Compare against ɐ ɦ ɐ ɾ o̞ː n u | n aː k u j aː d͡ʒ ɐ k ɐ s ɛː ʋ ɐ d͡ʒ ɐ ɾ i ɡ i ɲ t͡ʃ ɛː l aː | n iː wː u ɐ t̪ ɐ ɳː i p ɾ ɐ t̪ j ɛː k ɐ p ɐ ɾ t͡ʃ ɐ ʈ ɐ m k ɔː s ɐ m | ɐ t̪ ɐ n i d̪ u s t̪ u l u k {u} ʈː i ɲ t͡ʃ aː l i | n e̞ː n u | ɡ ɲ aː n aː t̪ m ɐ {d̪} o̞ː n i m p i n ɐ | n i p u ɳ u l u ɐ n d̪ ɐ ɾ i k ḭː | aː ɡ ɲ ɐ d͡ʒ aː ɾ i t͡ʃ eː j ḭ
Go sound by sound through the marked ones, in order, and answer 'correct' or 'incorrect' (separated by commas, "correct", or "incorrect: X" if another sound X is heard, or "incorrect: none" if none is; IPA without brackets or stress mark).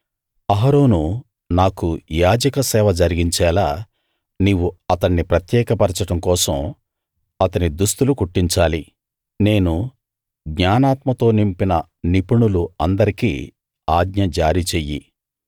correct, incorrect: t̪